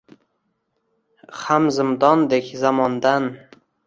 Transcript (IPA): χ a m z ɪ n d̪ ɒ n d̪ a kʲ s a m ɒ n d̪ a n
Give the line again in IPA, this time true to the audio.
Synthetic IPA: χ a m z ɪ m d̪ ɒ n d̪ e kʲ z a m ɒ n d̪ a n